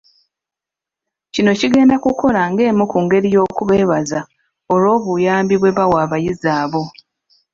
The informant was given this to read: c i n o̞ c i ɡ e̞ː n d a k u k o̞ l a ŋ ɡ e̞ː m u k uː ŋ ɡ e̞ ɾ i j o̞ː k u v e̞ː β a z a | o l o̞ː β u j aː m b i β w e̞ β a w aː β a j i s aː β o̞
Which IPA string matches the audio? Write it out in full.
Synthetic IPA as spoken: c i n o̞ c i ɡ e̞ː n d a k u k o̞ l a ŋ ɡ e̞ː m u k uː ŋ ɡ e̞ ɾ i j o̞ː k u β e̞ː β a z a | o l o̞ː β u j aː m b i β w e̞ β a w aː β a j i z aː β o̞